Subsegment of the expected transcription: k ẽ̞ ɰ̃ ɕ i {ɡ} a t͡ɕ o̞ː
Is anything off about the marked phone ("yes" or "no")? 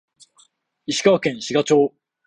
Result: no